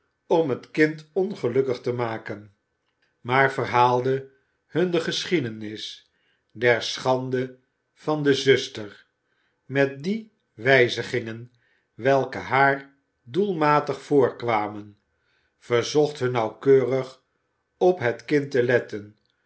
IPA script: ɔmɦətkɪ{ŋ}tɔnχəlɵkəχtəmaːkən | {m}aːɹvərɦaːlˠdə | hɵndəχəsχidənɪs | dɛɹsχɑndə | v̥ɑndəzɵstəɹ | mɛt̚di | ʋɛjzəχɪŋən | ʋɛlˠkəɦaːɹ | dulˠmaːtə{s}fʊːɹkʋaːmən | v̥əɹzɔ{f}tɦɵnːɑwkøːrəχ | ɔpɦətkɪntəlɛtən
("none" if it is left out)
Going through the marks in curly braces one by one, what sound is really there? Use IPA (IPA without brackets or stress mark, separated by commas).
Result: n, m, χ, χ